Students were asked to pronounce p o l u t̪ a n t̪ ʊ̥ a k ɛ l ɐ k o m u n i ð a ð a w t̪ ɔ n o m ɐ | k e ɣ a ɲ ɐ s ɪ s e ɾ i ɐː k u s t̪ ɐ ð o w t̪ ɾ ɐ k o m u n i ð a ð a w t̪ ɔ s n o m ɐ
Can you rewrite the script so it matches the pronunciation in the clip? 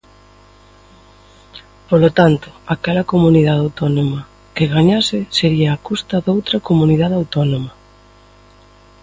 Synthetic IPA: p o l o t̪ a n t̪ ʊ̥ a k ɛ l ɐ k o m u n i ð a ð a w t̪ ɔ n o m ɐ | k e ɣ a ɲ a s ɪ s e ɾ i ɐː k u s t̪ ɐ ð o w t̪ ɾ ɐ k o m u n i ð a ð a w t̪ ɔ n o m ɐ

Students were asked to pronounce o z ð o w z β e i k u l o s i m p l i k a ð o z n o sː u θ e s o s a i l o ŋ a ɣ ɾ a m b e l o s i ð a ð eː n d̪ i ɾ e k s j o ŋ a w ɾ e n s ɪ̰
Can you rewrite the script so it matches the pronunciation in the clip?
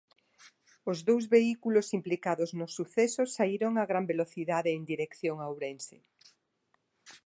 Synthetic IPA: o z ð o w z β e i k u l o s i m p l i k a ð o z n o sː u θ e s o s a i ɾ o ŋ a ɣ ɾ a m b e l o θ i ð a ð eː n d̪ i ɾ e k θ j o ŋ a w ɾ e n s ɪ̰

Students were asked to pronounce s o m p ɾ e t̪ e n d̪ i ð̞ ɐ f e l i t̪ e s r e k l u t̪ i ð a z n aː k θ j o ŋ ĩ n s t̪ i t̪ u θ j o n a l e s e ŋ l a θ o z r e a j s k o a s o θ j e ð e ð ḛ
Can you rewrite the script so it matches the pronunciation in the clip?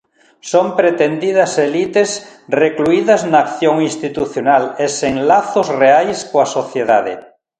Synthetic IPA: s o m p ɾ e t̪ e n d̪ i ð̞ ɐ s e l i t̪ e s r e k l u i ð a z n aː k θ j o ŋ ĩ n s t̪ i t̪ u θ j o n a l e s e ŋ l a θ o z r e a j s k o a s o θ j e ð a ð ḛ

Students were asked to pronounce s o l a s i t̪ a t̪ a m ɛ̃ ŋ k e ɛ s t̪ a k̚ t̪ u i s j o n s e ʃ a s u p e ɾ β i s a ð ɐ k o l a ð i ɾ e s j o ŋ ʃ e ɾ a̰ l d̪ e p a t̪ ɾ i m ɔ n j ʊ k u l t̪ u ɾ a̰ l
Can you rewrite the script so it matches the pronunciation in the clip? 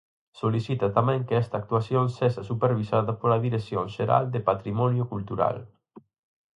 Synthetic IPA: s o l i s i t̪ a t̪ a m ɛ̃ ŋ k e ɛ s t̪ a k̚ t̪ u a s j o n s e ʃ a s u p e ɾ β i s a ð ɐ p o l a ð i ɾ e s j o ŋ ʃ e ɾ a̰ l d̪ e p a t̪ ɾ i m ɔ n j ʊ k u l t̪ u ɾ a̰ l

